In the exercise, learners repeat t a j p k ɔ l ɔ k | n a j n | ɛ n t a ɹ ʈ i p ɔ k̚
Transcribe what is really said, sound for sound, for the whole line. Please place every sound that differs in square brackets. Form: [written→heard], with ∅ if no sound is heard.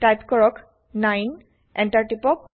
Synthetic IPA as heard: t a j p k ɔ [l→ɹ] ɔ k | n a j n | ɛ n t a ɹ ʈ i p ɔ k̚

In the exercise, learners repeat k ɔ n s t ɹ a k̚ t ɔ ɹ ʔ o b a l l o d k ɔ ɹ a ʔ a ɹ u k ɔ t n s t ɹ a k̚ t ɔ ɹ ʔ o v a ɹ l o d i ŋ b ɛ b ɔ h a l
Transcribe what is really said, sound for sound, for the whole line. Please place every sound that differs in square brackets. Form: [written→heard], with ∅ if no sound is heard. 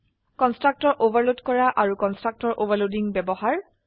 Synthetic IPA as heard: k ɔ n s t ɹ a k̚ t ɔ ɹ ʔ o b a [l→ɹ] l o d k ɔ ɹ a ʔ a ɹ u k ɔ [t→∅] n s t ɹ a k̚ t ɔ ɹ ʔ o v a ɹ l o d i ŋ b ɛ b ɔ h a [l→ɹ]

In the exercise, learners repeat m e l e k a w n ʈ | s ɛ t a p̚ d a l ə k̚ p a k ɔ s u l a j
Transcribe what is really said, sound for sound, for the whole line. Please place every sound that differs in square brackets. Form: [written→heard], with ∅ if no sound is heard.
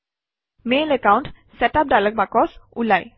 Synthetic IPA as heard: m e l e k a w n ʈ | s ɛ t a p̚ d a l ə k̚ [p→b] a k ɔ s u l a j

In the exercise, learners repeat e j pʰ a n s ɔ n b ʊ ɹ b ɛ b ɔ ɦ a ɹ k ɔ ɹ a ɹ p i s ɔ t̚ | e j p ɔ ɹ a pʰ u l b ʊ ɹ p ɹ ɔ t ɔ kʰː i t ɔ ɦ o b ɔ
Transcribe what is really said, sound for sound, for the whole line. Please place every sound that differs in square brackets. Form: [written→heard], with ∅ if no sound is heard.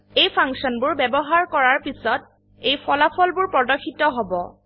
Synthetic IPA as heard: e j pʰ a [n→ŋ] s ɔ n b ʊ ɹ b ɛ b ɔ ɦ a ɹ k ɔ ɹ a ɹ p i s ɔ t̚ | e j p ɔ [ɹ→l] a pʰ [u→ɔ] l b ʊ ɹ p ɹ ɔ [t→d] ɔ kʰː i t ɔ ɦ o b ɔ

